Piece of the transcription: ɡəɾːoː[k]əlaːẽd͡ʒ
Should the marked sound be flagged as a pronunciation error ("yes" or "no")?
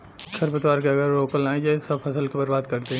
no